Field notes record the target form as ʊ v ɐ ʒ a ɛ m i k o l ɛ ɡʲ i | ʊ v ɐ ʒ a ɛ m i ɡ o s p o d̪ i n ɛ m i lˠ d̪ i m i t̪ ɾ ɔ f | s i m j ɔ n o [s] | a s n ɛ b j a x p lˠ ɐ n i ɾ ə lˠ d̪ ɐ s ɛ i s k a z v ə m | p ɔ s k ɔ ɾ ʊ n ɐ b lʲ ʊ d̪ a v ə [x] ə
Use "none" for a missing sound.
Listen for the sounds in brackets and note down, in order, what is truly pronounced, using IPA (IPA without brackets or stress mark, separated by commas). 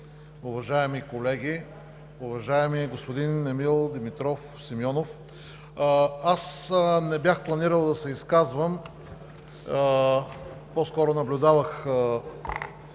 f, x